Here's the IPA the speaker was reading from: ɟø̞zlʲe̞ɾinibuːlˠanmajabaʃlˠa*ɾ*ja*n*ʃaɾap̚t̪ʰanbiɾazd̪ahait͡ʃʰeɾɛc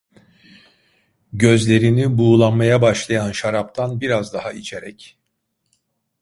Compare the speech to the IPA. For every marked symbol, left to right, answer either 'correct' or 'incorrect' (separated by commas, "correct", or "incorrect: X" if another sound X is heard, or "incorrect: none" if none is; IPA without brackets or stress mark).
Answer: incorrect: none, correct